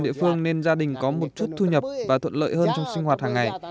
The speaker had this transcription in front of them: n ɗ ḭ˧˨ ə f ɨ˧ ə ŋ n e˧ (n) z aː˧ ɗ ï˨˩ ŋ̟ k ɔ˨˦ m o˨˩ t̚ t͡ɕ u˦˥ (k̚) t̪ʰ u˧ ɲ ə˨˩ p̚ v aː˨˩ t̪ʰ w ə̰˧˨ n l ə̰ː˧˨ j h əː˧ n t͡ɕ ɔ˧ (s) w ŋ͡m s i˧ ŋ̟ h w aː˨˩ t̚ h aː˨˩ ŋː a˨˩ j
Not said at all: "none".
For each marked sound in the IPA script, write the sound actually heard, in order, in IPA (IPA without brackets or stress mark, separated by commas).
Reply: n, t̚, none